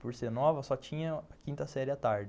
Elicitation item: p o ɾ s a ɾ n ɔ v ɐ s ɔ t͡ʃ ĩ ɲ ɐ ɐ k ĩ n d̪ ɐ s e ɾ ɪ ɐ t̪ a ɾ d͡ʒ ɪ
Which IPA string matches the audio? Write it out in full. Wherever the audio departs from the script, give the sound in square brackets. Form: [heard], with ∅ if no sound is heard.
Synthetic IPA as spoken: p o ɾ s [e] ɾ n ɔ v ɐ s ɔ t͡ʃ ĩ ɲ ɐ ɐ k ĩ n [t̪] ɐ s [ɛ] ɾ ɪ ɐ t̪ a ɾ d͡ʒ ɪ